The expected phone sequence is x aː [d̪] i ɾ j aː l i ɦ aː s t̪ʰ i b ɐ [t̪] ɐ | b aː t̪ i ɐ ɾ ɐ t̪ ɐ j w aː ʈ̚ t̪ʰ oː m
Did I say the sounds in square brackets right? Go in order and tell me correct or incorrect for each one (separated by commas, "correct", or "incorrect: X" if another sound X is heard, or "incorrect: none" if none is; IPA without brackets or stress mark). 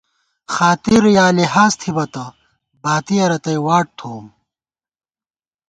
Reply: incorrect: t̪, correct